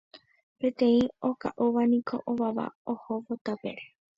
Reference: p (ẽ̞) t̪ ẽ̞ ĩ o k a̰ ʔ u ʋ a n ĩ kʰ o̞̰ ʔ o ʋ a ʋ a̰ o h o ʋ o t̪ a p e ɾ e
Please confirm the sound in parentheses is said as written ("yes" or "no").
no